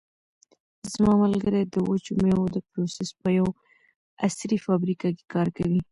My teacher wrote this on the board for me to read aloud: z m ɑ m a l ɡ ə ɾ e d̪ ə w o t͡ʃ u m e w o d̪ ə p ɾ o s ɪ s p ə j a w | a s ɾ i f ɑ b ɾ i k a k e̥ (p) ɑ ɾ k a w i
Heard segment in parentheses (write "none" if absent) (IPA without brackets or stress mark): k